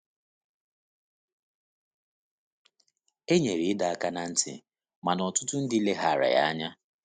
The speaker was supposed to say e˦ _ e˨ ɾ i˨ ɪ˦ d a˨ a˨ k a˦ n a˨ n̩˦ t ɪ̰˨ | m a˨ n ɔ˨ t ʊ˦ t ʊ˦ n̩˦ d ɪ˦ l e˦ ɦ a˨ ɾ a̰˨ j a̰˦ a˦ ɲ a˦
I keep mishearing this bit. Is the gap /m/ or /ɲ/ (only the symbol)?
ɲ